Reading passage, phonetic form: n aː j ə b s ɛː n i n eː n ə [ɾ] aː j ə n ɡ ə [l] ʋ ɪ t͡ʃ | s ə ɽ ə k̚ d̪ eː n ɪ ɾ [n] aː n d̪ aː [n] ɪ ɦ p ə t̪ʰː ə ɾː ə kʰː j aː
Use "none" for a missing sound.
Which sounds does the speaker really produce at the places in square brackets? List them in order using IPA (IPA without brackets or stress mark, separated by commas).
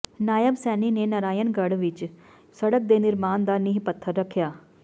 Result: ɾ, ɽ, m, n